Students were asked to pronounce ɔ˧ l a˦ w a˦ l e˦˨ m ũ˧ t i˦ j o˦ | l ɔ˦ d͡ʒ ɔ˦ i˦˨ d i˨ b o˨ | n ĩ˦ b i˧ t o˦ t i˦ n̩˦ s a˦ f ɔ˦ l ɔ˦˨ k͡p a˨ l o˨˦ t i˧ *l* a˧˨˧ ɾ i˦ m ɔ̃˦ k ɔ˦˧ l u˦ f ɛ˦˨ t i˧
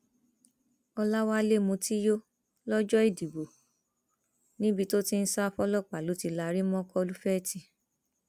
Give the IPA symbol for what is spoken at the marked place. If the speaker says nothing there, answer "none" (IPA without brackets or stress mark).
l